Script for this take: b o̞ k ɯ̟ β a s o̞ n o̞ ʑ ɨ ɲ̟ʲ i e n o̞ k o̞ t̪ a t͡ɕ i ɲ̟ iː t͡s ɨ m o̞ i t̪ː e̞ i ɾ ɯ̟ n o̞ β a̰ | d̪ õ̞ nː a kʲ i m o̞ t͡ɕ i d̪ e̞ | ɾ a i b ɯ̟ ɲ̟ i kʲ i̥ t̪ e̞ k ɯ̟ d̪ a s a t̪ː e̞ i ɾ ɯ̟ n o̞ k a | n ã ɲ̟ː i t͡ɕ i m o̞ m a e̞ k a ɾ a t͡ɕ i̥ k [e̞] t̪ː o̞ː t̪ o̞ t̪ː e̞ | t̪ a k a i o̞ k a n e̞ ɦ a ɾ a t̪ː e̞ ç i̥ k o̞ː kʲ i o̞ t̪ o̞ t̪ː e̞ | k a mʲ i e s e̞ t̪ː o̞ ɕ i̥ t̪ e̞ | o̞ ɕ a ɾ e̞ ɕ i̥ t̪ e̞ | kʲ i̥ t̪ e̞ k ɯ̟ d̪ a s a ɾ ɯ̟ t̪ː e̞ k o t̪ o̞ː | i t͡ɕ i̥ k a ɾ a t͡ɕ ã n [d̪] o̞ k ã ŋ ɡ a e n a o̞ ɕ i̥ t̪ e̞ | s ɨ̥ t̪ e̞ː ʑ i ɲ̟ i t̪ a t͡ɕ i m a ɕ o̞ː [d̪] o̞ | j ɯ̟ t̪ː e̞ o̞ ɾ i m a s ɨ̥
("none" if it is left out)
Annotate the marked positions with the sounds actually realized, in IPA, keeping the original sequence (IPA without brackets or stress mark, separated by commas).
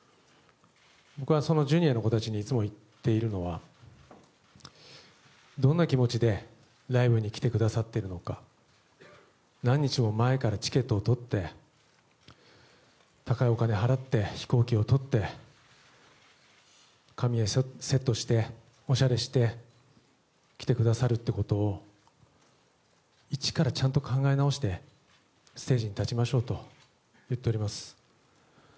e̞, t̪, t̪